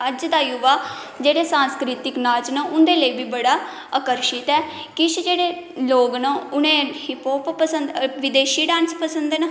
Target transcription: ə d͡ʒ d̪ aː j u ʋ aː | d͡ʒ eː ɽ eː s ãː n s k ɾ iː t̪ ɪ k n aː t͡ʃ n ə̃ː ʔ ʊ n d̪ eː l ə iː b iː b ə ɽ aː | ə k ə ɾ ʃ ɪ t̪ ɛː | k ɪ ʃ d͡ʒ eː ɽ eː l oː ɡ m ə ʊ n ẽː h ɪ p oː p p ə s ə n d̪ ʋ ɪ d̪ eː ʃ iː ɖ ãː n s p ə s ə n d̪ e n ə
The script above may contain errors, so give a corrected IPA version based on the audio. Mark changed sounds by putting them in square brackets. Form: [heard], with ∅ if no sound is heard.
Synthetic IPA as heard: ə d͡ʒ d̪ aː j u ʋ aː | d͡ʒ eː ɽ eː s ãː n s k ɾ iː t̪ ɪ k n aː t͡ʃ n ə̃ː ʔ ʊ n d̪ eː l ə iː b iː b ə ɽ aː | ə k ə ɾ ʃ ɪ t̪ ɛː | k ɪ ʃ d͡ʒ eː ɽ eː l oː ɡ [n] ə ʊ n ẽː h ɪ p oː p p ə s ə n d̪ ʋ ɪ d̪ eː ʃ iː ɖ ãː n s p ə s ə n d̪ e n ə

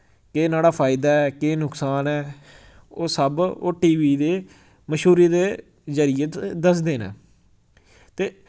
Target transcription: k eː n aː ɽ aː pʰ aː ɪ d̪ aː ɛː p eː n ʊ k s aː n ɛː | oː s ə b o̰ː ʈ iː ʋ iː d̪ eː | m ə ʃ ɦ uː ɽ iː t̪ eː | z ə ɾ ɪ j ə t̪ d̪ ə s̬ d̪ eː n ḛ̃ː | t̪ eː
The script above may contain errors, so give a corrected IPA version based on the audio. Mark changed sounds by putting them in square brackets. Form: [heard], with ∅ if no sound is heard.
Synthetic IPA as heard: k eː n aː ɽ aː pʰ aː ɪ d̪ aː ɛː [k] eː n ʊ k s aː n ɛː | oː s ə b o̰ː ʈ iː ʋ iː d̪ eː | m ə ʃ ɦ uː [ɾ] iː [d̪] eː | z ə ɾ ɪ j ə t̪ d̪ ə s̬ d̪ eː n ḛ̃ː | t̪ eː

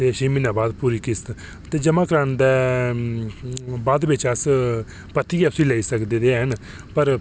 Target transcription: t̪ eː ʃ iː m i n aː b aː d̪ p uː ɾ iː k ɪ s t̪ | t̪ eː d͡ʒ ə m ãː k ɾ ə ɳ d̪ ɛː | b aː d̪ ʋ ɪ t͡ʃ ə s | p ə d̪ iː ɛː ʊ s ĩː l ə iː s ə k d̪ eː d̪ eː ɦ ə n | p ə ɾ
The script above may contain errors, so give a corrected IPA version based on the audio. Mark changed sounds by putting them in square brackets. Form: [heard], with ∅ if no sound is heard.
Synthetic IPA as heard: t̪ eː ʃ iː m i n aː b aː d̪ p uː ɾ iː k ɪ s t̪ | t̪ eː d͡ʒ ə m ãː k ɾ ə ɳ d̪ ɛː | b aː d̪ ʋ ɪ t͡ʃ ə s | p ə [t̪] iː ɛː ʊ s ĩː l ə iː s ə k d̪ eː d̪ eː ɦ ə n | p ə ɾ

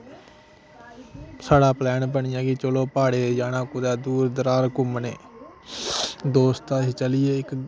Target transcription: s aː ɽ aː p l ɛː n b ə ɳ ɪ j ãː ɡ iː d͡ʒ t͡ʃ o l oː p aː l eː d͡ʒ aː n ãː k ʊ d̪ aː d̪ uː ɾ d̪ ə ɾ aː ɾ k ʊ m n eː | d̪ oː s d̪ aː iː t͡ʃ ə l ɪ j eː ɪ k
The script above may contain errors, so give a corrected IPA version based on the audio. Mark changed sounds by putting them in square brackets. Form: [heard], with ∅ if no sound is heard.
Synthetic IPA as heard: s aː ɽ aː p l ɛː n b ə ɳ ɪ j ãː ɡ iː [∅] t͡ʃ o l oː p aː [ɽ] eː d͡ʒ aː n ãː k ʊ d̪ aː d̪ uː ɾ d̪ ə ɾ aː ɾ k ʊ m n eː | d̪ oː s [t̪] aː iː t͡ʃ ə l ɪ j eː ɪ k

